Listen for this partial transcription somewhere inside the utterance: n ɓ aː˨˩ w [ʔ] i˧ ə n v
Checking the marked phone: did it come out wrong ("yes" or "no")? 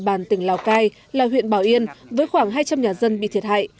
no